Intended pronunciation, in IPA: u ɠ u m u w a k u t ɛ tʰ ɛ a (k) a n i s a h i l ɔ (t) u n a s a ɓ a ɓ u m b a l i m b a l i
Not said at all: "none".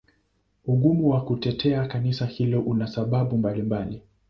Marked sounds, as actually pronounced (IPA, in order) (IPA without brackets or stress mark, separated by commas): k, ʔ